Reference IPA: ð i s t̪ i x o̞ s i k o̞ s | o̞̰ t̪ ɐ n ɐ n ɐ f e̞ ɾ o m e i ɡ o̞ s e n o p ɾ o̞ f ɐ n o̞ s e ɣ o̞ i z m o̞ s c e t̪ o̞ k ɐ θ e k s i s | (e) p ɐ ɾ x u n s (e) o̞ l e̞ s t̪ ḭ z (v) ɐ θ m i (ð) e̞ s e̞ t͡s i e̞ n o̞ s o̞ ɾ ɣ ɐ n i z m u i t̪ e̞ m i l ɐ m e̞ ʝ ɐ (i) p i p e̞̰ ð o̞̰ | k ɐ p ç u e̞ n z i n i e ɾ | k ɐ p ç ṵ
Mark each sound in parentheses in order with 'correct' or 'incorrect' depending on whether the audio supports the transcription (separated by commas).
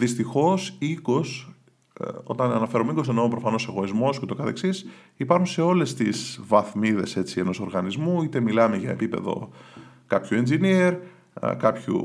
incorrect, correct, correct, correct, incorrect